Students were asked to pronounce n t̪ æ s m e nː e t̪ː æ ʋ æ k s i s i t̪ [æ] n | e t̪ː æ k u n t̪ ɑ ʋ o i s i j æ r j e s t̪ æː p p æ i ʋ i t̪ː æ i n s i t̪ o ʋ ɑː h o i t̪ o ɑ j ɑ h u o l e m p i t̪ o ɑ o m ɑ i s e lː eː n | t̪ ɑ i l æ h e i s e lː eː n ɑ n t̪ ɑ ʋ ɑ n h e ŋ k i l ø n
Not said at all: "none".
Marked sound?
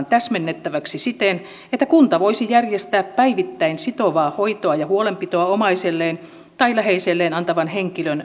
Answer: e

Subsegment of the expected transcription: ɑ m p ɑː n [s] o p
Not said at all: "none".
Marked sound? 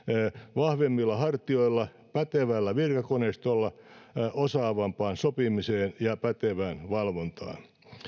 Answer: s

